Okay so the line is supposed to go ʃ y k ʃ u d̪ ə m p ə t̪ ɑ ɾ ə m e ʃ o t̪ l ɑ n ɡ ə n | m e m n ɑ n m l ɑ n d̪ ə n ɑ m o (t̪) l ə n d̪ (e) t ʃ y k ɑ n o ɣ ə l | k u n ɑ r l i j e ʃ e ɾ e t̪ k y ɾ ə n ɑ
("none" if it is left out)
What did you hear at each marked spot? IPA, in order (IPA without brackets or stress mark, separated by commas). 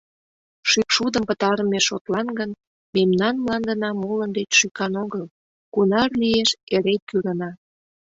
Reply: none, e